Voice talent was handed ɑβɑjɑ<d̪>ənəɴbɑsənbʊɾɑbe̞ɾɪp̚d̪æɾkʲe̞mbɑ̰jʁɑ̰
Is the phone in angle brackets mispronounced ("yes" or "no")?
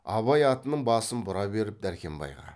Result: yes